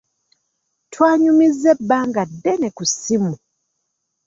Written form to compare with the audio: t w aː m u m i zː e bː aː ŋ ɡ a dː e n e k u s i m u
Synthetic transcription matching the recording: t w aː ɲ u m i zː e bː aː ŋ ɡ a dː e n e k u s i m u